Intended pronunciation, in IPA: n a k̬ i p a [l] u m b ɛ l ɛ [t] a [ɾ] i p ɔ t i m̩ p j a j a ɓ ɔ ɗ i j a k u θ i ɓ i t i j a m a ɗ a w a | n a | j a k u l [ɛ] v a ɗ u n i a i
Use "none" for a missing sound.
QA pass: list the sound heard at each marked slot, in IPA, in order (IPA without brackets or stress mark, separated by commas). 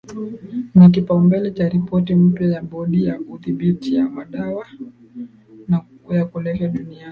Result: none, t͡ʃ, ɾ, ɛ